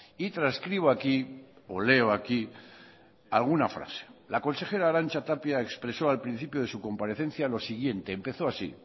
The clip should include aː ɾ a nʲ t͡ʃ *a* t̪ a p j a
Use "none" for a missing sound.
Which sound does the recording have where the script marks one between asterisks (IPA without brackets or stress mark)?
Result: a